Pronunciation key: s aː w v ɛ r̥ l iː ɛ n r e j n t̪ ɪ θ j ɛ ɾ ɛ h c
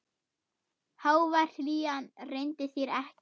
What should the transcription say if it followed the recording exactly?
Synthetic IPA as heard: h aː w v a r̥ l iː a n r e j n t̪ ɪ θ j ɛ ɾ ɛ h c